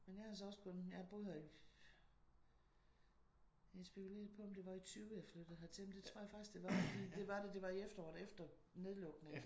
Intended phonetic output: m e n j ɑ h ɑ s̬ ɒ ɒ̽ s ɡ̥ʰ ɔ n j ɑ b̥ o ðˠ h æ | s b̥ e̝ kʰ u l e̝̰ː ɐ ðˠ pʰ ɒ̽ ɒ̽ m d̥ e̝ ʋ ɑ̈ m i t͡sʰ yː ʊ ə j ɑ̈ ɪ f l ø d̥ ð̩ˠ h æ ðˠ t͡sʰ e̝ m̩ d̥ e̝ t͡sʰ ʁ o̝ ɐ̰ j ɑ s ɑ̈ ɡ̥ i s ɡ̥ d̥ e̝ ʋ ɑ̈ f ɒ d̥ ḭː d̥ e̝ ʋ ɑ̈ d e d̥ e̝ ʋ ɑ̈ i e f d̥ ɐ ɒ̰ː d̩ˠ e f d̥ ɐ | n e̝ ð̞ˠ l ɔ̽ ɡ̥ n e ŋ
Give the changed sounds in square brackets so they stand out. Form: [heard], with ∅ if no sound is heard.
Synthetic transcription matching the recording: m e n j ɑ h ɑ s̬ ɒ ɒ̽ s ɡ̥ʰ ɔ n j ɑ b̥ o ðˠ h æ | s b̥ e̝ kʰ u l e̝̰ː ɐ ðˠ pʰ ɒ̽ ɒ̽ m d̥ e̝ ʋ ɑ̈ [∅] i t͡sʰ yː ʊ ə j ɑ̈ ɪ f l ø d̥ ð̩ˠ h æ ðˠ t͡sʰ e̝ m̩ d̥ e̝ t͡sʰ ʁ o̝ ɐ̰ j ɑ [f] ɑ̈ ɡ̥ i s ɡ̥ d̥ e̝ ʋ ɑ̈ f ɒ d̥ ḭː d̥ e̝ ʋ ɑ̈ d e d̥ e̝ ʋ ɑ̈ i e f d̥ ɐ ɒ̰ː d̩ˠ e f d̥ ɐ | n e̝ ð̞ˠ l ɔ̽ ɡ̥ n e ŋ